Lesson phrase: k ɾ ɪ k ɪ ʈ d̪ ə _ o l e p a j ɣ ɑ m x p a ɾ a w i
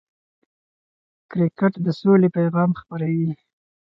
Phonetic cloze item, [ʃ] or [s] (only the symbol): s